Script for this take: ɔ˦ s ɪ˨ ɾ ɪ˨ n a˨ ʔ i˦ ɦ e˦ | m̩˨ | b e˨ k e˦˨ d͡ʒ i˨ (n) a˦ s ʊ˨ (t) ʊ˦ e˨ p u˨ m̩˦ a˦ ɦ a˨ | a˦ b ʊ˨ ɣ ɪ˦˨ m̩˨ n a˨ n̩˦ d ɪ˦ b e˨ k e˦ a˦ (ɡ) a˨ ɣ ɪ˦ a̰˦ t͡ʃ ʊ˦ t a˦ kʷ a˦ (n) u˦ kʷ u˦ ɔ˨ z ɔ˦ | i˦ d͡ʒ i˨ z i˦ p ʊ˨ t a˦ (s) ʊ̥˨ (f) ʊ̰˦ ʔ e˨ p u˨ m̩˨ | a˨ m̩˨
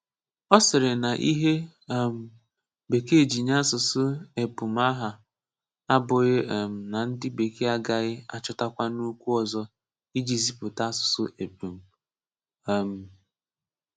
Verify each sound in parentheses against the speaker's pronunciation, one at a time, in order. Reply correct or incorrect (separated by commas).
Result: incorrect, incorrect, correct, correct, correct, incorrect